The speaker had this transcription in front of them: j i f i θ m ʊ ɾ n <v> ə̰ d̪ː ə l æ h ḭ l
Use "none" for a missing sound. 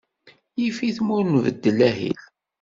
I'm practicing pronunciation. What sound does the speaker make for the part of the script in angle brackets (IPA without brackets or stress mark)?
v